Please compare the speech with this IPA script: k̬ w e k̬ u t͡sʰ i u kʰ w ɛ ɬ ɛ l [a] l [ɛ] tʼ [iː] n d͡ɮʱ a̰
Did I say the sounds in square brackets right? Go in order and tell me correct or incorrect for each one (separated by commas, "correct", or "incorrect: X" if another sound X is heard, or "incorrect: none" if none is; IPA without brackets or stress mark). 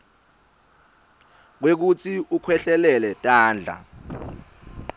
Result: incorrect: ɛ, correct, incorrect: aː